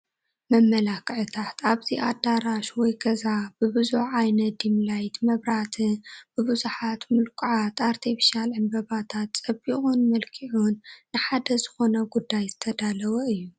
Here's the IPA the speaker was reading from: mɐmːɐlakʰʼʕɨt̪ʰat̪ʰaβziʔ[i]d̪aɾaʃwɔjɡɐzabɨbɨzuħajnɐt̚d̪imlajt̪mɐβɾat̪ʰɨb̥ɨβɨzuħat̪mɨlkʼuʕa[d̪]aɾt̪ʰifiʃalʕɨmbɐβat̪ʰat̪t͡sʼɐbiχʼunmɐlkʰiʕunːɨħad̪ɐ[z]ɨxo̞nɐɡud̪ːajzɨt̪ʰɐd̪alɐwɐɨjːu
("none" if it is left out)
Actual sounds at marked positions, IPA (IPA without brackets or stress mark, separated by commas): a, t̪, z